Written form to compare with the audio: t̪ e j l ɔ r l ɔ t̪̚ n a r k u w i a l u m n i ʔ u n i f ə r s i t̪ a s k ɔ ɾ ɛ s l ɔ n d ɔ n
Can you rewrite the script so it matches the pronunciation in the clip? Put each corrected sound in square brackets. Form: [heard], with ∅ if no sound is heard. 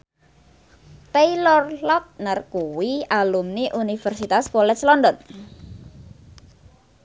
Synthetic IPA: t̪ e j l ɔ r l ɔ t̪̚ n a r k u w i a l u m n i ʔ u n i f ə r s i t̪ a s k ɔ [l] ɛ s l ɔ n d ɔ n